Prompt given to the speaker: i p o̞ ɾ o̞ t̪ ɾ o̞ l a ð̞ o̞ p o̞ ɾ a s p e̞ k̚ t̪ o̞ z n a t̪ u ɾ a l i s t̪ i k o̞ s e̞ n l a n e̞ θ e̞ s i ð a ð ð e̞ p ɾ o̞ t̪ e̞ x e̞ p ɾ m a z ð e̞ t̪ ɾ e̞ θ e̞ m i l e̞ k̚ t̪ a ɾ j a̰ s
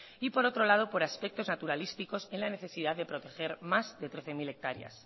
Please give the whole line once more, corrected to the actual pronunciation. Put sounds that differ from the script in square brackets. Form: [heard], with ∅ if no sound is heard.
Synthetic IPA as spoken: i p o̞ ɾ o̞ t̪ ɾ o̞ l a ð̞ o̞ p o̞ ɾ a s p e̞ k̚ t̪ o̞ z n a t̪ u ɾ a l i s t̪ i k o̞ s e̞ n l a n e̞ θ e̞ s i ð a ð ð e̞ p ɾ o̞ t̪ e̞ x e̞ [∅] ɾ m a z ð e̞ t̪ ɾ e̞ θ e̞ m i l e̞ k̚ t̪ a ɾ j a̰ s